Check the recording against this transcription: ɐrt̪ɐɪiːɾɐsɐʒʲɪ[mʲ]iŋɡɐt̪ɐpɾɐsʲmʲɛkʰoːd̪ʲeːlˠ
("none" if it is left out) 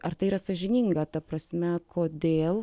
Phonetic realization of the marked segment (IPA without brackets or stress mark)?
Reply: nʲ